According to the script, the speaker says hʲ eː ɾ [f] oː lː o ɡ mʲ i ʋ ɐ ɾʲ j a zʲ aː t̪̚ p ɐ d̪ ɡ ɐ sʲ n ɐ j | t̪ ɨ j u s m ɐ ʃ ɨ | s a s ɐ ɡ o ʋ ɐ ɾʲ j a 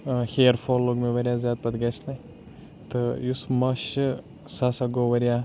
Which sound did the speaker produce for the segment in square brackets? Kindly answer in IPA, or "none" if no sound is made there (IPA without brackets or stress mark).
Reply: f